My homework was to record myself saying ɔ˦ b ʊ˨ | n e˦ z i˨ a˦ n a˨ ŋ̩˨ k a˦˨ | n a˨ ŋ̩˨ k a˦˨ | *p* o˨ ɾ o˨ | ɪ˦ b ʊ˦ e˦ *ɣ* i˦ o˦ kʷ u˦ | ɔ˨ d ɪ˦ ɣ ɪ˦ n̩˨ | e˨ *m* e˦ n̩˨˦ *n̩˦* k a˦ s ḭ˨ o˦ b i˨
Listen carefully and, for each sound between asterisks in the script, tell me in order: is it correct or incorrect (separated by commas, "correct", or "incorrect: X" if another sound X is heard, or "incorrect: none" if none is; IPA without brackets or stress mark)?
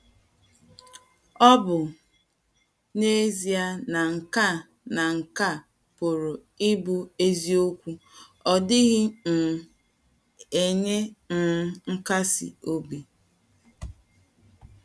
correct, incorrect: z, incorrect: ɲ, incorrect: ŋ̩˦